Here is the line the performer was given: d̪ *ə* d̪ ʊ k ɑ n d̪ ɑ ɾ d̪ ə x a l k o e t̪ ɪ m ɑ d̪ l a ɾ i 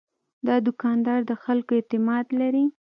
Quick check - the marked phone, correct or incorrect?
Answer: incorrect